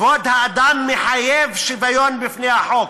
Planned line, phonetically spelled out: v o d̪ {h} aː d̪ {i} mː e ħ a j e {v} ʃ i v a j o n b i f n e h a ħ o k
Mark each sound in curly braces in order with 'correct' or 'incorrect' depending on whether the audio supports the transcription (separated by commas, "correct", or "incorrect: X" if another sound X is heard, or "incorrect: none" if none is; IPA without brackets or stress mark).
correct, incorrect: a, correct